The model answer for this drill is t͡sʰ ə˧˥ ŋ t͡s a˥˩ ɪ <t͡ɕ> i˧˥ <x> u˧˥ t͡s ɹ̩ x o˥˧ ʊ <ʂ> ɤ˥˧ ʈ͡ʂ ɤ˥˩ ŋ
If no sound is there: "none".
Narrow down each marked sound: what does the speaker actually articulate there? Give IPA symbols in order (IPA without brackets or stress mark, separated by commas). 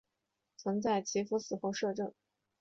t͡ɕʰ, f, ʂ